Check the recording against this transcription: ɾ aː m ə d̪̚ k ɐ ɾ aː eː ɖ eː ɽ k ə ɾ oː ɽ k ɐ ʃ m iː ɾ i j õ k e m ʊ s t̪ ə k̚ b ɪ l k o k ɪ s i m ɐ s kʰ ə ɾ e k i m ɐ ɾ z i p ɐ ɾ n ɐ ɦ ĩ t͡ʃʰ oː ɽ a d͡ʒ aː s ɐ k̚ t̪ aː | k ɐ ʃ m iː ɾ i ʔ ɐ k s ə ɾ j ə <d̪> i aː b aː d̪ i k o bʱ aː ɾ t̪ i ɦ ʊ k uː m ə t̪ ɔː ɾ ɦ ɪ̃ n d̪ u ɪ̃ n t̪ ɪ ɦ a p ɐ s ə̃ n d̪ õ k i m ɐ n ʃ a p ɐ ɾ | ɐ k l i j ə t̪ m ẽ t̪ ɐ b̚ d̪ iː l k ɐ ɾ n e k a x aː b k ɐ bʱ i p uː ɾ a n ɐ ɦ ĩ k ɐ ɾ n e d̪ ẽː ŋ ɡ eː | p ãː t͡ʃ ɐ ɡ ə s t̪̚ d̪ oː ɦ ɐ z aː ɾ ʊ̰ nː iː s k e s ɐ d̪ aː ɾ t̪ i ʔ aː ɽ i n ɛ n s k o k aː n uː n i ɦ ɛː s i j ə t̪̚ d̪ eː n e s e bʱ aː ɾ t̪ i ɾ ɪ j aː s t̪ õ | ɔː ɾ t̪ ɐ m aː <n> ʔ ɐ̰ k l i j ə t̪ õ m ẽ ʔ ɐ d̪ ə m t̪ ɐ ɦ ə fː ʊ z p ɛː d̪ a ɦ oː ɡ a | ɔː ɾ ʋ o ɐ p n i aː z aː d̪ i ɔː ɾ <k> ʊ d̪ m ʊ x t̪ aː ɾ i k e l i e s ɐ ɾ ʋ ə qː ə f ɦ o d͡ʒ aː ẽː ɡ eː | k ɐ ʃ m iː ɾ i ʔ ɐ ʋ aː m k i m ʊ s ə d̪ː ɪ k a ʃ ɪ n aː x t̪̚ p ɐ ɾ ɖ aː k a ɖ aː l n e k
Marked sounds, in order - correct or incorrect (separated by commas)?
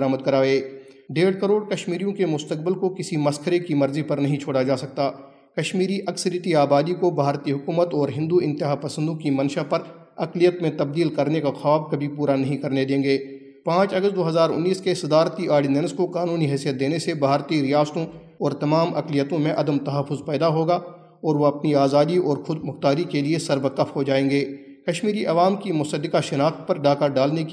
incorrect, incorrect, incorrect